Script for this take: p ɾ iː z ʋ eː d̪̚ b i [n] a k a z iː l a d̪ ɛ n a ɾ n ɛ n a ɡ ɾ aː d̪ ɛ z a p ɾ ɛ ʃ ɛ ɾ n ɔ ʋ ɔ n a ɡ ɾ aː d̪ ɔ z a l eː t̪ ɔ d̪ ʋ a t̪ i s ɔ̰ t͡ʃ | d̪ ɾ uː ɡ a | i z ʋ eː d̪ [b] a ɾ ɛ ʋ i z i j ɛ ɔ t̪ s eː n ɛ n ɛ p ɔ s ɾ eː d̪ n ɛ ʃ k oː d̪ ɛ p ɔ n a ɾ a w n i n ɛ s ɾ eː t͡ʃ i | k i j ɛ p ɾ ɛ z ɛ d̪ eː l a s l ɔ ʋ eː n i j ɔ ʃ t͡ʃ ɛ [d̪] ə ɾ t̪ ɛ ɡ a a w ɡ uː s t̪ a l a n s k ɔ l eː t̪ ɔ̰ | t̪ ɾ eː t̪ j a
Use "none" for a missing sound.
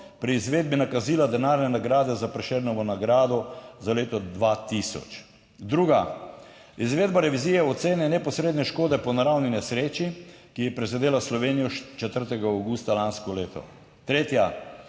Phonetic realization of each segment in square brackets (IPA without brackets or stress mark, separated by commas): n, b, t̪